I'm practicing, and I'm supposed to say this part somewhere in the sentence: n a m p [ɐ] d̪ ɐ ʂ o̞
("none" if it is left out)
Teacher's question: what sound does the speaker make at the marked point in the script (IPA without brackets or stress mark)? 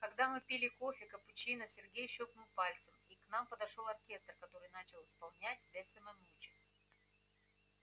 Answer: ə